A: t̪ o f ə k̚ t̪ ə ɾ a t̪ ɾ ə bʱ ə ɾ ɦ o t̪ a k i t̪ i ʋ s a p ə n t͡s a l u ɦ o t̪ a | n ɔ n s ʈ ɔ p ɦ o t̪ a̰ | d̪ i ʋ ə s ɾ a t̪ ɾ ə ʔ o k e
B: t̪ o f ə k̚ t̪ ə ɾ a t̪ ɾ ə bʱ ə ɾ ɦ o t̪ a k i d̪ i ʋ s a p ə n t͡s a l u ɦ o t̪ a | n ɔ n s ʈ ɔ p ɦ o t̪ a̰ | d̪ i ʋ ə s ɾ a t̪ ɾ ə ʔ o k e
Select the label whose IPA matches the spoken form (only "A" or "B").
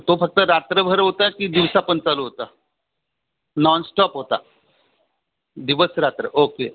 B